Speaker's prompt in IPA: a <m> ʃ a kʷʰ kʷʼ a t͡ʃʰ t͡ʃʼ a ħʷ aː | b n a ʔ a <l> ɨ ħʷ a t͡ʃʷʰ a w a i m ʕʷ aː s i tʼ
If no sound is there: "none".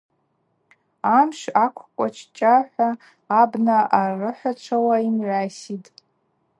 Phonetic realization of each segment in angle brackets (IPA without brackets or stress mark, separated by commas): m, r